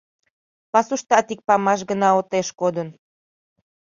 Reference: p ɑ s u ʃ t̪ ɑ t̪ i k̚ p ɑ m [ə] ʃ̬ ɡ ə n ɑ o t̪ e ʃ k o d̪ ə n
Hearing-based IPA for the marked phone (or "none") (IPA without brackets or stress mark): ɑ